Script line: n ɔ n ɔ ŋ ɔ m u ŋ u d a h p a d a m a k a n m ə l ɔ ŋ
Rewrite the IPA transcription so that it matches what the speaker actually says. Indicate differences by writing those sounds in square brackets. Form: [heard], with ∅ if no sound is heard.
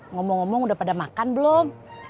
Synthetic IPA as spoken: [ŋ] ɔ [m] ɔ ŋ ɔ m [ɔ] ŋ u d a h p a d a m a k a n [b] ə l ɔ [m]